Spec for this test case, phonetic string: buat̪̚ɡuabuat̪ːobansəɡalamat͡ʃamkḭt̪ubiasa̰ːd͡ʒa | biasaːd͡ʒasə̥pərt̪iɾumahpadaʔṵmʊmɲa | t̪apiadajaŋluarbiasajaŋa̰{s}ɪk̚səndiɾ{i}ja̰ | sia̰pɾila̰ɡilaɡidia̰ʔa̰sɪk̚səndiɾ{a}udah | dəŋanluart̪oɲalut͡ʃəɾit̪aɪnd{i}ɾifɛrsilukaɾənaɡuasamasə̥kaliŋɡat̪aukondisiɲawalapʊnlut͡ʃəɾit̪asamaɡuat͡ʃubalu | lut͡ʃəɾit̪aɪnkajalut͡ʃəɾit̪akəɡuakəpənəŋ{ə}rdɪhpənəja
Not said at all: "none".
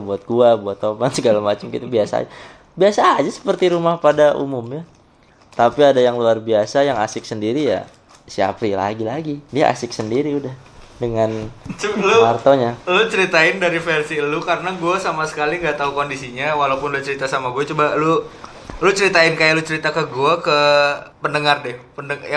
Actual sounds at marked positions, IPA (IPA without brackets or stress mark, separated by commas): s, i, i, a, a